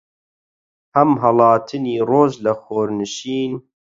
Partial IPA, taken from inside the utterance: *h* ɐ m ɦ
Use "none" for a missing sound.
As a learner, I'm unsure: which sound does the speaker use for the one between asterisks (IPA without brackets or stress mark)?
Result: h